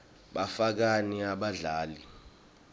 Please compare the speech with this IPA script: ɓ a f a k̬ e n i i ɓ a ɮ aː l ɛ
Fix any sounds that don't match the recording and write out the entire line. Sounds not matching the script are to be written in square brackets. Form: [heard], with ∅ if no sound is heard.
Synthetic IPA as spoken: ɓ a f a k̬ [a] n i [a] ɓ a ɮ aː l [i]